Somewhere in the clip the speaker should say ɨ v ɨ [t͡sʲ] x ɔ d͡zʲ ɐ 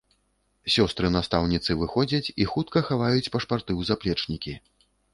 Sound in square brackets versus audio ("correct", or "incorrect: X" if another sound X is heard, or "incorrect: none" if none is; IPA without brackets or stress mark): incorrect: none